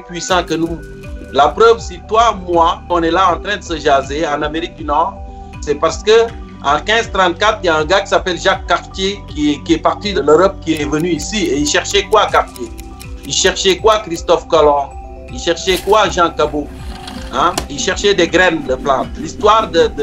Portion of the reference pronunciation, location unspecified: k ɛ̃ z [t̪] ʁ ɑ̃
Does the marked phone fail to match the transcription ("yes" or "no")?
no